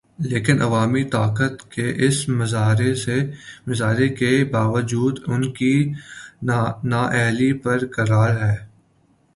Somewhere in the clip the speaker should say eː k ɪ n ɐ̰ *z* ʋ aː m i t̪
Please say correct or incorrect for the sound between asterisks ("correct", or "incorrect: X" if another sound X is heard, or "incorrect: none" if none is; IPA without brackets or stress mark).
incorrect: none